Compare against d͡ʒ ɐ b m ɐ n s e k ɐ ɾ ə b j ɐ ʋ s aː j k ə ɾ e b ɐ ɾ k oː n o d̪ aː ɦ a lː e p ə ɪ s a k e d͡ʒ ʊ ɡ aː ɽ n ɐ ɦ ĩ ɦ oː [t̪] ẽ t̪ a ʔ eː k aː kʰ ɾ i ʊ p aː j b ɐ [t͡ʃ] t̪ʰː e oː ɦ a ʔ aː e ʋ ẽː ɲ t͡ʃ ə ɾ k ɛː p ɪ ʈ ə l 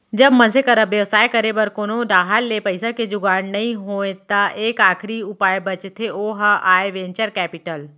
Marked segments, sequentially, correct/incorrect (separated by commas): incorrect, correct